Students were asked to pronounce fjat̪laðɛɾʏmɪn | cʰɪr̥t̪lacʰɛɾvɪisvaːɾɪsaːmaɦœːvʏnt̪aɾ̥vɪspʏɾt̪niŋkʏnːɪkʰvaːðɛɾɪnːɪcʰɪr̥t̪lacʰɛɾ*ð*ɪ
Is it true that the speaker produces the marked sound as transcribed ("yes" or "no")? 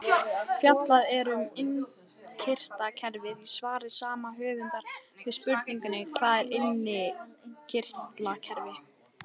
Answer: no